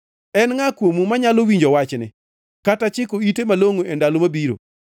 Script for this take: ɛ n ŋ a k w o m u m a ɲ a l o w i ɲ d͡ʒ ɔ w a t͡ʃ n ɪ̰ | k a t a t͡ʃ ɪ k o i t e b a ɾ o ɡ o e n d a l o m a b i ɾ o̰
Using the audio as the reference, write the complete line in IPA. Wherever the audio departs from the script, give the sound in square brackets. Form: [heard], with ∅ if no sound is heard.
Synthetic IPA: ɛ n ŋ a k w o m u m a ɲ a l o w i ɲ d͡ʒ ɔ w a t͡ʃ n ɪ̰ | k a t a t͡ʃ ɪ k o i t e [m] a [l] o [ŋ] o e n d a l o m a b i ɾ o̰